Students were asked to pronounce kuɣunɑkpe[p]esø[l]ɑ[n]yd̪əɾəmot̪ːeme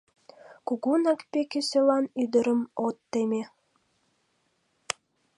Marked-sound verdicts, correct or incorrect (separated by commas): incorrect, correct, correct